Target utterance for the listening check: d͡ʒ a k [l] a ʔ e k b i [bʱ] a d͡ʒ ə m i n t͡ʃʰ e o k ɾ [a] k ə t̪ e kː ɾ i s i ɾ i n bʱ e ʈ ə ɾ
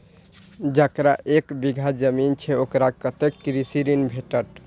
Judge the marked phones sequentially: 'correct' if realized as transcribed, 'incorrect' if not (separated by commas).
incorrect, incorrect, correct